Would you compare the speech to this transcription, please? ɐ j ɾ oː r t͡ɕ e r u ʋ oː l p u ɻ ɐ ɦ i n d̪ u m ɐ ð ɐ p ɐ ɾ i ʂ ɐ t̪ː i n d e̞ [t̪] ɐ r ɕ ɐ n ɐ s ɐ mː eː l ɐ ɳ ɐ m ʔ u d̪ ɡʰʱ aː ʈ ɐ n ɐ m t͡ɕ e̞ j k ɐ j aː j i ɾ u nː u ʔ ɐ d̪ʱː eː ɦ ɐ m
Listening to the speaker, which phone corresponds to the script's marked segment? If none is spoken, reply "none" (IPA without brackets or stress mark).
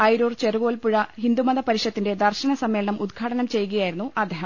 d̪